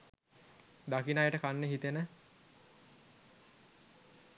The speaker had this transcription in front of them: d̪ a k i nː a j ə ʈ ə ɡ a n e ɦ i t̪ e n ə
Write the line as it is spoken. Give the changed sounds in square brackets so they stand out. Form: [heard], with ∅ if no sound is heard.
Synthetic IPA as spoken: d̪ a k i [n] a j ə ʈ ə [k] a [nː] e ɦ i t̪ e n ə

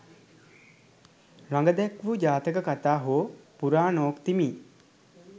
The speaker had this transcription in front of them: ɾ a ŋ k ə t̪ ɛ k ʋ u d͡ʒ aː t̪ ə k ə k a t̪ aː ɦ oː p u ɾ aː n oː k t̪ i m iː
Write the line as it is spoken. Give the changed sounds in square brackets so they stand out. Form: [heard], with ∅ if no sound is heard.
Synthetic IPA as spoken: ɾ a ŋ [ɡ] ə [d̪] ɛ k ʋ u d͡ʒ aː t̪ ə k ə k a t̪ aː ɦ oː p u ɾ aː n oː k t̪ i m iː

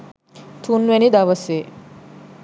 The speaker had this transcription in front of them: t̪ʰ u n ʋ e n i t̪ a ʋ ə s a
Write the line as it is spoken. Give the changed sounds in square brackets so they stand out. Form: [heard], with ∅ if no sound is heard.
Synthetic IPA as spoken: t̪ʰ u n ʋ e n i [d̪] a ʋ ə s [e]

